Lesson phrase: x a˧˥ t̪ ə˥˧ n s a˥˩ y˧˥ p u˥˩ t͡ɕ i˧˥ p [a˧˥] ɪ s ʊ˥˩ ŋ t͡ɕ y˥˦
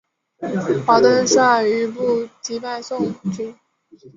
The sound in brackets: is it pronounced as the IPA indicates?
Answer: no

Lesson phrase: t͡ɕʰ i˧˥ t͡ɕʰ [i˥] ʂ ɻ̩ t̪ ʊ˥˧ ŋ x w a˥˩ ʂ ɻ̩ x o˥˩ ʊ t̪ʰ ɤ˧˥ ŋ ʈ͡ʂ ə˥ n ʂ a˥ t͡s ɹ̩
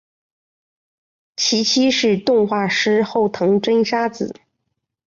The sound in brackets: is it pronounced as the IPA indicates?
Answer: yes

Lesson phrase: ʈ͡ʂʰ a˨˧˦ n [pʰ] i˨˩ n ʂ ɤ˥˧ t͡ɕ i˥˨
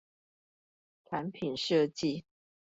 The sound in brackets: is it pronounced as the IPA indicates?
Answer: yes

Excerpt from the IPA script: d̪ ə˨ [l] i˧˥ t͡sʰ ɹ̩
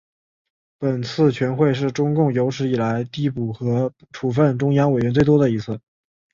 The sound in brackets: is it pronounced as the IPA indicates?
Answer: no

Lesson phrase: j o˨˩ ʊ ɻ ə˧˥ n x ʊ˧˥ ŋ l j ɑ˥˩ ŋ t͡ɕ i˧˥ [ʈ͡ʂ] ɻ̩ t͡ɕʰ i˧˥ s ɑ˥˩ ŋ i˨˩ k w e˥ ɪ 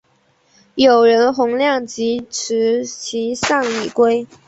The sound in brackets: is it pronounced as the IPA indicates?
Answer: no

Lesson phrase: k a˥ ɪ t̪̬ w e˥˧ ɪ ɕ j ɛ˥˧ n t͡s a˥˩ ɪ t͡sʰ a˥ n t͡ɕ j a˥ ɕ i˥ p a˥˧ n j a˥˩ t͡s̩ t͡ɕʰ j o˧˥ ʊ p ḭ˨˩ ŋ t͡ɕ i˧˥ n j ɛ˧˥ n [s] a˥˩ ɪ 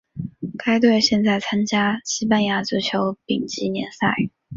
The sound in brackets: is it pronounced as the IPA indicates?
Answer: yes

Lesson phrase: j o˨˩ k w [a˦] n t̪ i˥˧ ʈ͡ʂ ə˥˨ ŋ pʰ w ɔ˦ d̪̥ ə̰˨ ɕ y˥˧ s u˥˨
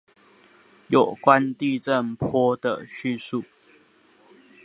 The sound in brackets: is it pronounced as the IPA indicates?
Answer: yes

